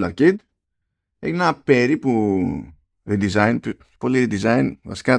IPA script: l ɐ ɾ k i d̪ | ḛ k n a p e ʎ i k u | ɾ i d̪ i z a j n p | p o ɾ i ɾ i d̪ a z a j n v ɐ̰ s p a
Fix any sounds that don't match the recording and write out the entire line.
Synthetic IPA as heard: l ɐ ɾ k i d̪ | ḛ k n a p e ɾ i p u | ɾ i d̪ i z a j n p | p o l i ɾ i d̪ i z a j n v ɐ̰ s k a